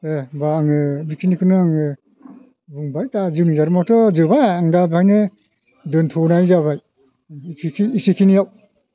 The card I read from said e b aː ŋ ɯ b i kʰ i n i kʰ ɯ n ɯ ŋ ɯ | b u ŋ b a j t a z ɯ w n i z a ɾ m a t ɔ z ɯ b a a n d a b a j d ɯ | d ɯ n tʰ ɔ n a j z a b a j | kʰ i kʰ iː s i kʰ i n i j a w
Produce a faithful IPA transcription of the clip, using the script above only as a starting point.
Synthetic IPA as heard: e b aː ŋ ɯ b i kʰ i n i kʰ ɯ n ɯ ŋ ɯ | b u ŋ b a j t a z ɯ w n i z a ɾ m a t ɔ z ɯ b a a ŋ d a b a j n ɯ | d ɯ n tʰ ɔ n a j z a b a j | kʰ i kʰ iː s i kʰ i n i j a w